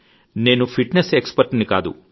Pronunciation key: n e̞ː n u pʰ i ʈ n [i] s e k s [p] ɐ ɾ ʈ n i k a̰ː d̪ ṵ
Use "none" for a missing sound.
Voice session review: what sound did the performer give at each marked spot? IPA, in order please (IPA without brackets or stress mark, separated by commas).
e, p